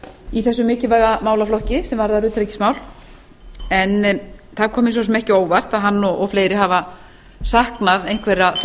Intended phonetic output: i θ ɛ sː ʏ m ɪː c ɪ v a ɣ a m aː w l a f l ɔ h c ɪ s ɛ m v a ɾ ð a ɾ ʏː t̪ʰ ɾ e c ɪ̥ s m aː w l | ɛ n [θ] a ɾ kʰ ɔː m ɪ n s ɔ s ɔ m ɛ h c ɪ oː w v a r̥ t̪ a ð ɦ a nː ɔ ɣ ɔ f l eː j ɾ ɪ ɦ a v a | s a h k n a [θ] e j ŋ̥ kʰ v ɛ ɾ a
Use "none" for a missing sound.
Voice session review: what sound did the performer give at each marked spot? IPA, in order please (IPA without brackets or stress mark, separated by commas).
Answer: θ, ð